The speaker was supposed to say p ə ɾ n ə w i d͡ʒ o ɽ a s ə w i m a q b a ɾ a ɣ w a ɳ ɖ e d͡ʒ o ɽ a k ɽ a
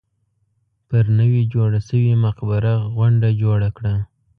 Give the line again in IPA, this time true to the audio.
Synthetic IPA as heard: p ə ɾ n ə w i d͡ʒ o ɽ a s ə w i m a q b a ɾ a ɣ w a ɳ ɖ a d͡ʒ o ɽ a k ɽ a